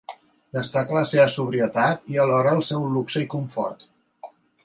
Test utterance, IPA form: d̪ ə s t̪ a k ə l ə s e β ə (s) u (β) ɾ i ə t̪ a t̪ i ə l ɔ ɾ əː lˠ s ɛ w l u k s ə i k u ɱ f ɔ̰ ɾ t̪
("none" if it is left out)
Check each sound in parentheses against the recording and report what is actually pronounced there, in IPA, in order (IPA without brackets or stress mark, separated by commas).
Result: s, β